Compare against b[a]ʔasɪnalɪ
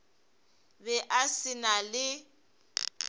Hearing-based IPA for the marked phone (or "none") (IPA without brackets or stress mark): ɛ